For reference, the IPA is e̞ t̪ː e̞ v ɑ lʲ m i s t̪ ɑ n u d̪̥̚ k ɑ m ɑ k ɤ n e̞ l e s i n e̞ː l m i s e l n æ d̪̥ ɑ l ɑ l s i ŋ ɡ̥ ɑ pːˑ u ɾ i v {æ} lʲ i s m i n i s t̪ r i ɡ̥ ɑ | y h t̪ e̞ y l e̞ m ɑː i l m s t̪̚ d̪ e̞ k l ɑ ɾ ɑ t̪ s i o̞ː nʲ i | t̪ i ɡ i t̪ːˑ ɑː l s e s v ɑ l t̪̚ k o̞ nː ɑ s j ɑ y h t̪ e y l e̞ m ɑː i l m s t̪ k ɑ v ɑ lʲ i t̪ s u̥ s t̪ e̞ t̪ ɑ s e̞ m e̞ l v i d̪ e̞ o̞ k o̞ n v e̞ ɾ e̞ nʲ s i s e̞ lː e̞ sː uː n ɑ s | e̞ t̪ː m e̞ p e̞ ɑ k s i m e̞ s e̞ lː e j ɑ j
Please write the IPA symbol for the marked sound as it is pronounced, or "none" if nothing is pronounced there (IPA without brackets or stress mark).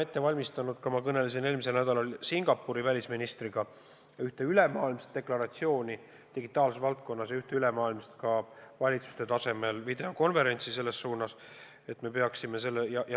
æ